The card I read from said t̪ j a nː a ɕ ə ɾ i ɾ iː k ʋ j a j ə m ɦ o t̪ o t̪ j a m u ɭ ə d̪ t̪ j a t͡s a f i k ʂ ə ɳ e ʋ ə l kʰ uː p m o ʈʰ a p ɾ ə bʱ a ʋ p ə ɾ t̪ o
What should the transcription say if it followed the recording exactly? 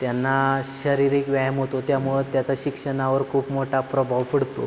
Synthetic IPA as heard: t̪ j a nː a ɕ ə ɾ i ɾ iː k ʋ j a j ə m ɦ o t̪ o t̪ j a m u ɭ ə d̪ t̪ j a t͡s a ɕ i k ʂ ə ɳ a ʋ ə ɾ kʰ uː p m o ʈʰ a p ɾ ə bʱ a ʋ p ə ɽ t̪ o

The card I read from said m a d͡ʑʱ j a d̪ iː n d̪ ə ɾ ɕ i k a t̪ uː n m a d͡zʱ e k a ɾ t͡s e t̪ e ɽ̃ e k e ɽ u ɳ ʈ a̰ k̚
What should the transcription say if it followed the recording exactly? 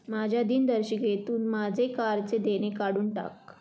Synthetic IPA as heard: m a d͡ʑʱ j a d̪ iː n d̪ ə ɾ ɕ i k e t̪ uː n m a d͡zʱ e k a ɾ t͡s e d̪ e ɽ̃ e k a ɽ uː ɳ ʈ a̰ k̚

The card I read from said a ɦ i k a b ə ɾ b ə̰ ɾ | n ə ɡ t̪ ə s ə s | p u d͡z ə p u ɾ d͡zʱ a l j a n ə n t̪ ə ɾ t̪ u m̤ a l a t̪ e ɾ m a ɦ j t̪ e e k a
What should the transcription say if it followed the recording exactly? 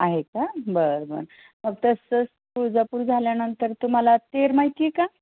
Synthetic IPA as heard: a ɦ e k a b ə ɾ b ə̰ ɾ | m ə ɡ t̪ ə s ə s | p u d͡z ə p u ɾ d͡zʱ a l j a n ə n t̪ ə ɾ t̪ u m̤ a l a t̪ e ɾ m a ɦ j t̪ i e k a

